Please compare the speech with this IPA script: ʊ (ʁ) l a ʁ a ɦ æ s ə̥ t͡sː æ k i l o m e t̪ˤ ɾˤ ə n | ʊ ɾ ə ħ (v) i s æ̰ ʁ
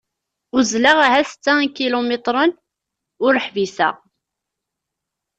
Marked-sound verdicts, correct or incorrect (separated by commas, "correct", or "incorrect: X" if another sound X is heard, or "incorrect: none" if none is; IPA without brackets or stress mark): incorrect: z, correct